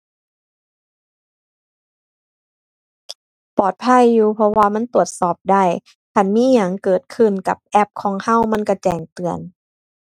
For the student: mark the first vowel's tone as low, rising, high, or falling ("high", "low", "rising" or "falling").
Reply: low